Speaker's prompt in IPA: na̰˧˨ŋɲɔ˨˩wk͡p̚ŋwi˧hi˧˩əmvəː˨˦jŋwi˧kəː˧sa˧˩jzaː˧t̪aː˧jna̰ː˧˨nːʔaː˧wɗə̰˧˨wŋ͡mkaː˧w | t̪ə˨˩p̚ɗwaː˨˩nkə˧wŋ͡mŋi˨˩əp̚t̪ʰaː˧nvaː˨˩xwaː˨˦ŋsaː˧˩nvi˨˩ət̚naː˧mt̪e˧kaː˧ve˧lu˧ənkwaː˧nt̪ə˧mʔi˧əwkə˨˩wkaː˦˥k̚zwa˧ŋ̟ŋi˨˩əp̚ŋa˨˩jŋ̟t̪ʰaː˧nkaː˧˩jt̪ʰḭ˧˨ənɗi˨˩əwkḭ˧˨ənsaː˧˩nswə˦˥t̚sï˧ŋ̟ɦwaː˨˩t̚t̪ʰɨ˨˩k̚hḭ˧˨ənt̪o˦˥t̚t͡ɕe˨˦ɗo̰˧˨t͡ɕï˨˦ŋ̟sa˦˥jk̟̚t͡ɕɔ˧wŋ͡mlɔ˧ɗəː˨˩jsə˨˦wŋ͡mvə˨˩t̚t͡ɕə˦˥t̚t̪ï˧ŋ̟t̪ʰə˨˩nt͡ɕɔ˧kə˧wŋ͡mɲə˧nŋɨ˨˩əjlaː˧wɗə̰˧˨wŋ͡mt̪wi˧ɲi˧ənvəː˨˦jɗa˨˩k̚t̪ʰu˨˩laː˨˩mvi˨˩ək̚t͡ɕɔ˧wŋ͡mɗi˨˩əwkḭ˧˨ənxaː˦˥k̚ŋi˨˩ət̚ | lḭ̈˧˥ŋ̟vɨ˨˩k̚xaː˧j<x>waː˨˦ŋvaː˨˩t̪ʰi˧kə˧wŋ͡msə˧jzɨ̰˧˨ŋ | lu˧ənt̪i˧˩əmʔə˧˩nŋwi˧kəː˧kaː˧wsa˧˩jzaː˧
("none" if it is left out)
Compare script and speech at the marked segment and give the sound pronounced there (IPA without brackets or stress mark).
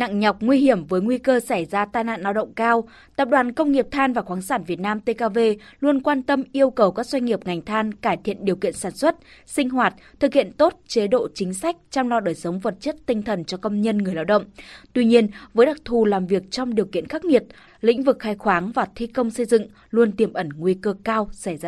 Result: x